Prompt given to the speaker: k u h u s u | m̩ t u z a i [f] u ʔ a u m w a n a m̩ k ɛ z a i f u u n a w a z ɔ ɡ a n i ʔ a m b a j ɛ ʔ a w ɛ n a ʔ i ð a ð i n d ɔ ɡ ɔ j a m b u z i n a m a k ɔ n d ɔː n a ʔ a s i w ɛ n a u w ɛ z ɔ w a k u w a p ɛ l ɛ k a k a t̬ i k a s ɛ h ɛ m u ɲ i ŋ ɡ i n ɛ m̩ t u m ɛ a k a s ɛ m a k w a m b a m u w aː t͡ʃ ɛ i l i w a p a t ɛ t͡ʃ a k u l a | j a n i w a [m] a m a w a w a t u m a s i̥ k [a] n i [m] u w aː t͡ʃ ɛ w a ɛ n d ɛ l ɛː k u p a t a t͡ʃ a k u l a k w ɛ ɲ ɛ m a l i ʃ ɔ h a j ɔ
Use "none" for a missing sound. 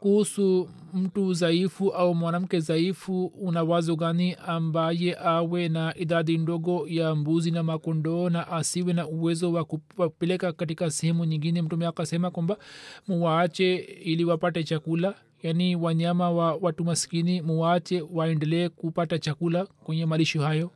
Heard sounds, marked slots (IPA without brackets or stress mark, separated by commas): f, ɲ, i, m